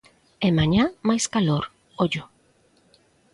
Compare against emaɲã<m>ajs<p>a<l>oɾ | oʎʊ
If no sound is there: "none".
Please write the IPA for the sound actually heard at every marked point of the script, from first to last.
m, k, l

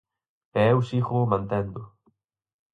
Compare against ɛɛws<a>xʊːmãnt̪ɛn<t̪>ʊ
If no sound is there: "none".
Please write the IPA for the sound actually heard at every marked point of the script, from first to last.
i, d̪

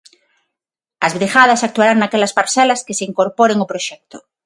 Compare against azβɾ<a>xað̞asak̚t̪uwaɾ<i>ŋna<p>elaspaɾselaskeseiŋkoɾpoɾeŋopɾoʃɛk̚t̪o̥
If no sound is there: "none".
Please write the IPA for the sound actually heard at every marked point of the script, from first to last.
i, a, k

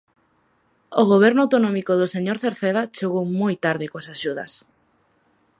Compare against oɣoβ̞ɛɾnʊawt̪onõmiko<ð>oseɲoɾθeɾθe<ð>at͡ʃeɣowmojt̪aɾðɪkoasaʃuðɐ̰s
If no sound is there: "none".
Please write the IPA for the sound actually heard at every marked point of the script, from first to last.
ð, ð

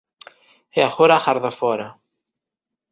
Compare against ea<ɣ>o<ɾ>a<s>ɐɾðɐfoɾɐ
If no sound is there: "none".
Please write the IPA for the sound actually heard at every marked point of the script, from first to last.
x, ɾ, x

